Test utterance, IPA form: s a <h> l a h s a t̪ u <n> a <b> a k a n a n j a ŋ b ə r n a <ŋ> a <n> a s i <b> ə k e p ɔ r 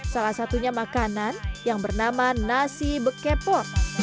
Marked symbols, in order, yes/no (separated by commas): no, no, no, no, yes, yes